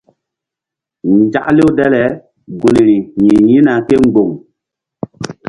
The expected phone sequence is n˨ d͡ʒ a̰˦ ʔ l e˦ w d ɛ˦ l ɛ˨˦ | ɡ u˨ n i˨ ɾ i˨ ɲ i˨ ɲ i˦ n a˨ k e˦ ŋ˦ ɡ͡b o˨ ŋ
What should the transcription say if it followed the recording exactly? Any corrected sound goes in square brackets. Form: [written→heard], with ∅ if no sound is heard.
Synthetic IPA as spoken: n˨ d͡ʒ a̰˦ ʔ l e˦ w d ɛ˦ l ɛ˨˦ | ɡ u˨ n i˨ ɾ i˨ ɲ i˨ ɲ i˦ n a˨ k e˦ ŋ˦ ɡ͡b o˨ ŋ